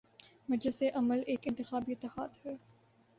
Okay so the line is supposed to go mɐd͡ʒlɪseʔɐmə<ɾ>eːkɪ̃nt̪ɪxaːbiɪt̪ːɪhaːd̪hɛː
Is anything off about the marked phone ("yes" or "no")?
yes